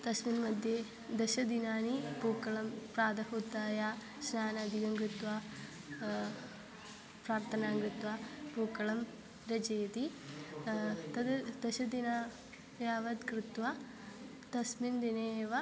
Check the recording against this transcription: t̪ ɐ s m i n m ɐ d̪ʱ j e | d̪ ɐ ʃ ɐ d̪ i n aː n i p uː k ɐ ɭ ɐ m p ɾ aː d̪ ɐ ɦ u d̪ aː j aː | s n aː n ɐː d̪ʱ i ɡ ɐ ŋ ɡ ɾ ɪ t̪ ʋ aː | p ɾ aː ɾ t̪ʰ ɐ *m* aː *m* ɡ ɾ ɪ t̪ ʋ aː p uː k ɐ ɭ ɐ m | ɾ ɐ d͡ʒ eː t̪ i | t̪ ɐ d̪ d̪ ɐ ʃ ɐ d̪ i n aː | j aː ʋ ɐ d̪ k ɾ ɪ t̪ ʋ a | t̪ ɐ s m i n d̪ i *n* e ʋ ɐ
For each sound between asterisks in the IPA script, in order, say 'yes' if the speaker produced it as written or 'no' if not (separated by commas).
no, no, yes